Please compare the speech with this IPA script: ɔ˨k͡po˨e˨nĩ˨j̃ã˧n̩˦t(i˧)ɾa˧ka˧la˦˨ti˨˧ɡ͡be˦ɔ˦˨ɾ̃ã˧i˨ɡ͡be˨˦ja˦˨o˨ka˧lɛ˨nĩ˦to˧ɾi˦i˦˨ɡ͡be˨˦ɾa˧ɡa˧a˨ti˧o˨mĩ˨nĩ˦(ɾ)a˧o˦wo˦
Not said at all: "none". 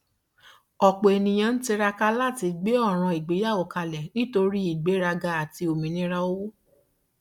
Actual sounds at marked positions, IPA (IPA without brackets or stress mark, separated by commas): i˧, ɾ